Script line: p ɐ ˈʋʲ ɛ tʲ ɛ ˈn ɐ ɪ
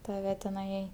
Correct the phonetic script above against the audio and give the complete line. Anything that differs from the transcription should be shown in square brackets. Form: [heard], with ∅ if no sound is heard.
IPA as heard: [t] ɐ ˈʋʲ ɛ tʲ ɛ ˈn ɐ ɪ